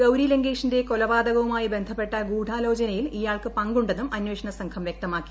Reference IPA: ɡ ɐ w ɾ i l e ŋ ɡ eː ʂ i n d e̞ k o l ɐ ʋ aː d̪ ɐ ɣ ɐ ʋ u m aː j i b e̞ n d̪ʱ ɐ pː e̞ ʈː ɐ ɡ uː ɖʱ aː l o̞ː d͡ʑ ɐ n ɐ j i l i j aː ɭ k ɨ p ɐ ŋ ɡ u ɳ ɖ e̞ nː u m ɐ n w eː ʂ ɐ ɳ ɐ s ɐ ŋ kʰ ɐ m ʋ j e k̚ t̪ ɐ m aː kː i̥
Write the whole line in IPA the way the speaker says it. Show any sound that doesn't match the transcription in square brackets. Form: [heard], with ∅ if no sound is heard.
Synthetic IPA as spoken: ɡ ɐ w ɾ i l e ŋ ɡ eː ʂ i n d e̞ k o l ɐ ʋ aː d̪ ɐ ɣ ɐ ʋ u m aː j i b e̞ n d̪ʱ ɐ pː e̞ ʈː ɐ ɡ uː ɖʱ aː l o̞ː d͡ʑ ɐ n ɐ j i l i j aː ɭ k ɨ p ɐ ŋ ɡ u ɳ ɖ e̞ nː u m ɐ n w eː ʂ ɐ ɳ ɐ s ɐ ŋ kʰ ɐ m ʋ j e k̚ t̪ ɐ m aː kː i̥